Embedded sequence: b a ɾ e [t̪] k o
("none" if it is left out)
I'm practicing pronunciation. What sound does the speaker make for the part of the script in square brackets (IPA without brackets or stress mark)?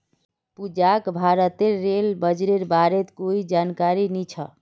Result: t̪